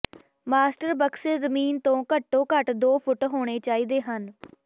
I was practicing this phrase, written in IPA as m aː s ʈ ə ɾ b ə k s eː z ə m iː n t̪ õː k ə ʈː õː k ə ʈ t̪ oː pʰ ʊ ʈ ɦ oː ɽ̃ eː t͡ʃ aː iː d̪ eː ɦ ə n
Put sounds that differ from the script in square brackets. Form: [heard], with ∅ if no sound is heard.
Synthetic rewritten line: m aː s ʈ ə ɾ b ə k s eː z ə m iː n t̪ õː k ə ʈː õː k ə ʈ [d̪] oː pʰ ʊ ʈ ɦ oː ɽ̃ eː t͡ʃ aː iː d̪ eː ɦ ə n